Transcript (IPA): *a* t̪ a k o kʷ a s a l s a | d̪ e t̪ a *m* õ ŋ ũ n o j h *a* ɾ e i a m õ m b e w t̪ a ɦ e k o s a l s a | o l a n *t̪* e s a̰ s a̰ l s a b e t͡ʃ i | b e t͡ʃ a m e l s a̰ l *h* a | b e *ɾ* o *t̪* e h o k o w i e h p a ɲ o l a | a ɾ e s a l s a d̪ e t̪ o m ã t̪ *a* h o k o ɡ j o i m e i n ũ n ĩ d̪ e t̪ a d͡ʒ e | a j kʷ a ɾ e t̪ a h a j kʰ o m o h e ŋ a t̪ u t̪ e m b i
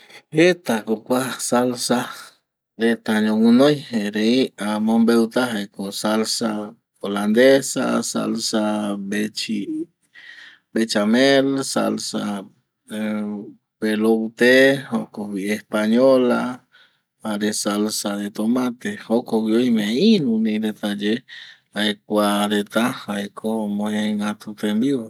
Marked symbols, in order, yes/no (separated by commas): no, no, no, no, no, no, yes, no